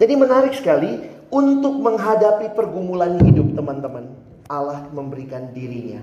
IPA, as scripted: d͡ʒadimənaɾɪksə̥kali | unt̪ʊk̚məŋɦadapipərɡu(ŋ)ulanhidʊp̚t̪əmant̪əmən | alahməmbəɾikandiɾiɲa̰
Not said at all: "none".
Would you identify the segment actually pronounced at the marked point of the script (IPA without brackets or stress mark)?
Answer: m